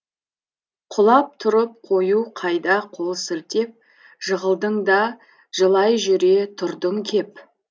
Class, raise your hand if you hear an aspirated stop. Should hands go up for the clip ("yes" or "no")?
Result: yes